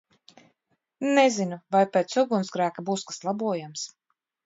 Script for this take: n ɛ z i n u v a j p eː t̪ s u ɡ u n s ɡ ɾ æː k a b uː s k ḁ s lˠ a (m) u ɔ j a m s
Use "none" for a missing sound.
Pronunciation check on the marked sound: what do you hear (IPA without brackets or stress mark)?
b